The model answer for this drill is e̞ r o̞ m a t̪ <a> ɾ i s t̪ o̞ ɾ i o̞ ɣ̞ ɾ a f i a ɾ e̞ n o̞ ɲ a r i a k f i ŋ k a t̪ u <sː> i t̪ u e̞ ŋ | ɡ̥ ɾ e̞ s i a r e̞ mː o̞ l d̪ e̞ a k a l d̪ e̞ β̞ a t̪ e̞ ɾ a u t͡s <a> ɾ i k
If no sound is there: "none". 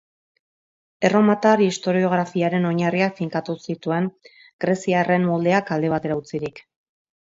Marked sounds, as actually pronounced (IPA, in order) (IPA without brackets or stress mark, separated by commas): a, s, i